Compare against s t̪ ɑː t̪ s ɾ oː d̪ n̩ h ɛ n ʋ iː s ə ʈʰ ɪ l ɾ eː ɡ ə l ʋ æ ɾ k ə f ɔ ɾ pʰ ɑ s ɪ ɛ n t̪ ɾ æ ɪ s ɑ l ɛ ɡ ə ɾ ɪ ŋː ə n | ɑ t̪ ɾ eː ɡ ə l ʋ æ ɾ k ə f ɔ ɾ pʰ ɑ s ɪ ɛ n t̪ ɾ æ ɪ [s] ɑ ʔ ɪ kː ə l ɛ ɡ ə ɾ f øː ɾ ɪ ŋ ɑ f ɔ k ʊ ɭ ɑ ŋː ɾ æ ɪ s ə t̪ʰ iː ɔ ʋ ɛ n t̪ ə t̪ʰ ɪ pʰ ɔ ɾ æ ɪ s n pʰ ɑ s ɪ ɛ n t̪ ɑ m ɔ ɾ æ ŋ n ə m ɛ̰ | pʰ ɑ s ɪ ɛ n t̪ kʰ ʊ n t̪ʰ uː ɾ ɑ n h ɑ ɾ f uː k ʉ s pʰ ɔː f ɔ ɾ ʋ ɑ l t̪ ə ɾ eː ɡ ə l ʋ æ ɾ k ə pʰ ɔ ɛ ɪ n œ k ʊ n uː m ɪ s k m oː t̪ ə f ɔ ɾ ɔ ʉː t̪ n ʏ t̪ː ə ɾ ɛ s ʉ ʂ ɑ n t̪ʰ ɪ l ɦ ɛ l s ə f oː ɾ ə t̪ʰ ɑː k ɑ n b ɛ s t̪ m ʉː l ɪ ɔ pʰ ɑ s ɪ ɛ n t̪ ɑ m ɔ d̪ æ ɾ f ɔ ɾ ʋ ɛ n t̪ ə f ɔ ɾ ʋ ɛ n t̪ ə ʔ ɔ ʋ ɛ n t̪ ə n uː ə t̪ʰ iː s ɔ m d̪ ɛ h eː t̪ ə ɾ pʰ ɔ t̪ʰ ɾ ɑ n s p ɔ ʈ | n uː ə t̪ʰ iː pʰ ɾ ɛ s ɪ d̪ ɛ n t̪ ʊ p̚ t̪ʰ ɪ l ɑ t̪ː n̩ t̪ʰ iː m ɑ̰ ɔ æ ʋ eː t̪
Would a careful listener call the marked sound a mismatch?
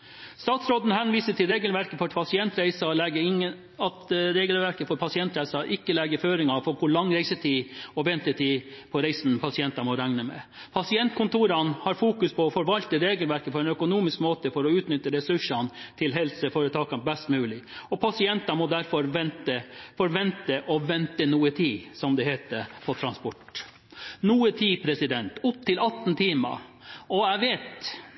no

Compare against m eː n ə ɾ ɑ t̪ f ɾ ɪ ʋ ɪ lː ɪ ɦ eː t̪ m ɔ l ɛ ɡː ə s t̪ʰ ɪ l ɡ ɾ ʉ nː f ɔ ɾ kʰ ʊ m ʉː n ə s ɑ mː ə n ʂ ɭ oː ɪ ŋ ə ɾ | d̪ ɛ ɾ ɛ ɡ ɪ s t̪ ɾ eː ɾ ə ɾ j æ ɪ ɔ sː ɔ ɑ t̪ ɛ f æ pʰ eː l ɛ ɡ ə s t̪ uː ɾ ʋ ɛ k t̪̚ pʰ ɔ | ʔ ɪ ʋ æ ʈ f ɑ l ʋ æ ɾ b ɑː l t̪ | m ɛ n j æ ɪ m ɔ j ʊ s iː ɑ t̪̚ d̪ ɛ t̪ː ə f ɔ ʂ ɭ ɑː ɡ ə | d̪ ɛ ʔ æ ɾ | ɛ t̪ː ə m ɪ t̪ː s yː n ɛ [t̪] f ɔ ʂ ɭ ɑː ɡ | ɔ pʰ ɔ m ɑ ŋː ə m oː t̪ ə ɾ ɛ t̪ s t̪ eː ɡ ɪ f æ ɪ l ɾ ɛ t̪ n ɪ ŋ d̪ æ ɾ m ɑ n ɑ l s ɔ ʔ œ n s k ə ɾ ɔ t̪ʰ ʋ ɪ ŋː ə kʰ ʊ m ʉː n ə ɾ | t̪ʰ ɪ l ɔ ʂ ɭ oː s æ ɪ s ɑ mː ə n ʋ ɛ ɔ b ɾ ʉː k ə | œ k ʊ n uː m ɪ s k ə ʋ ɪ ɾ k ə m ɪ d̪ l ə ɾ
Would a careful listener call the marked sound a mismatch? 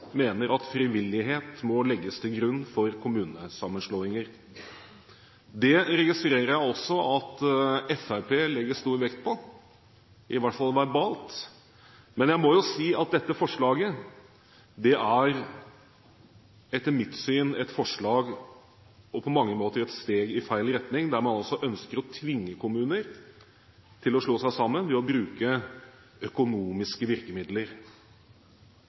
no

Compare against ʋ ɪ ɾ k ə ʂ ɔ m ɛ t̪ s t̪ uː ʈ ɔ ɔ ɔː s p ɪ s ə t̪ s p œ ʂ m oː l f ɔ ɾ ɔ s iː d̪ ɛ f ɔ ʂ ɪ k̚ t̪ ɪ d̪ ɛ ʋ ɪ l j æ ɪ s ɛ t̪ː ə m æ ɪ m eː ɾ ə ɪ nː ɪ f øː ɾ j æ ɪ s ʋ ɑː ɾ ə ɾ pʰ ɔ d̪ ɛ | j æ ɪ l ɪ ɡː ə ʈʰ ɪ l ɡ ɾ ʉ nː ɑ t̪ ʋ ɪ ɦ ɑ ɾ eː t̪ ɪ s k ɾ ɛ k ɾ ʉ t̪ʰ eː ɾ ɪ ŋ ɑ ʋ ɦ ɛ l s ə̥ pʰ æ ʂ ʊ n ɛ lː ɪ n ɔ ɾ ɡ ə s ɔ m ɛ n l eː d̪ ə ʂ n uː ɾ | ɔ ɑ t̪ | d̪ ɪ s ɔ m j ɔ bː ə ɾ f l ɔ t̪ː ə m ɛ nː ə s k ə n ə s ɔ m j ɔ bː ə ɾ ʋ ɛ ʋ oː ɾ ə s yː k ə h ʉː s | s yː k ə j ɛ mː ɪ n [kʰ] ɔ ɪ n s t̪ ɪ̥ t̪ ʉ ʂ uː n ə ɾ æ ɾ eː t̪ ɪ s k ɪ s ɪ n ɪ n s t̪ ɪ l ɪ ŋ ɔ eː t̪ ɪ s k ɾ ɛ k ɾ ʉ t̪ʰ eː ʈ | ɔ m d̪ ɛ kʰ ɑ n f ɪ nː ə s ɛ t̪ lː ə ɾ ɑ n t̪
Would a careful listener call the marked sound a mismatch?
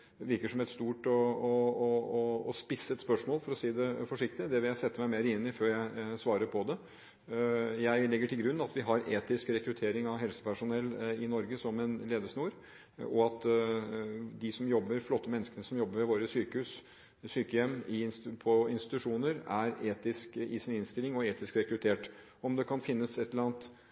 yes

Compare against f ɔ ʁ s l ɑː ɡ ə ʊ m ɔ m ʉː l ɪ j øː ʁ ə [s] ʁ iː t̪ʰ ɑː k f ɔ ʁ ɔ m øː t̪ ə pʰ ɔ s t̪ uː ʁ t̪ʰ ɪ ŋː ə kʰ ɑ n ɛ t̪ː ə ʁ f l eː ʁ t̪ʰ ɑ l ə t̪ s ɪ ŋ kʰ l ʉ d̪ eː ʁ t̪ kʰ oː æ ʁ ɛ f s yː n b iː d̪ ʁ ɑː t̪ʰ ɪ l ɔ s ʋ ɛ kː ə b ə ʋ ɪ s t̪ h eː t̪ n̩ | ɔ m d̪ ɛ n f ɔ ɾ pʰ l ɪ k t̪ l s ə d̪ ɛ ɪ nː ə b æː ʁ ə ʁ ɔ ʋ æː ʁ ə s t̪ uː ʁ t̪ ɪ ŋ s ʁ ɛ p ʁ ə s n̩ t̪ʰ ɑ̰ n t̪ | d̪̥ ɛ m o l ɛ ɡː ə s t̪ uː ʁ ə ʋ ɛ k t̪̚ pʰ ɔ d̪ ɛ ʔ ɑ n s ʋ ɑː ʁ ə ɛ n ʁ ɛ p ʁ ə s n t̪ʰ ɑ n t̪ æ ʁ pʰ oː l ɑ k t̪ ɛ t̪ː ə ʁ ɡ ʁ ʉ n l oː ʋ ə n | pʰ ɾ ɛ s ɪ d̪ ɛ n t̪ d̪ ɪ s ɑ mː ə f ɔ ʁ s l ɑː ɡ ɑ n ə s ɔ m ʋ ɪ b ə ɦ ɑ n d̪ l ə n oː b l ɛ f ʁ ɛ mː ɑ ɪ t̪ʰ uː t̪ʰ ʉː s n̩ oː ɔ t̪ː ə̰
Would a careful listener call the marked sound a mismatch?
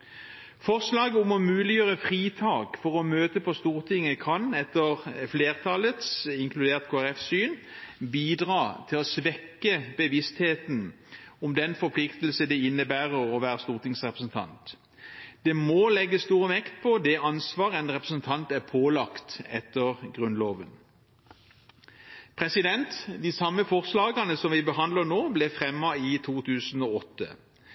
yes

